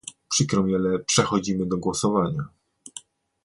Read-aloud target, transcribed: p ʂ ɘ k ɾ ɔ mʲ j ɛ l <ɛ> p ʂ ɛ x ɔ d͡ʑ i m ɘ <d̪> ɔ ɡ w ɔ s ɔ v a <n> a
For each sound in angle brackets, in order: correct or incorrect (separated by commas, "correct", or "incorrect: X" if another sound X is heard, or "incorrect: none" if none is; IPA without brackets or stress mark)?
correct, correct, incorrect: ɲ